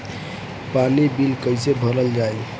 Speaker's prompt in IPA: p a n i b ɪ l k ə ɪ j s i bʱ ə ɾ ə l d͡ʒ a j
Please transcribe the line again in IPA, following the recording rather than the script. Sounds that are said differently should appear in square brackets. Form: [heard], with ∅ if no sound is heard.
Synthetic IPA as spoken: p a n i b [i] l k ə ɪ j s [e] bʱ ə ɾ ə l d͡ʒ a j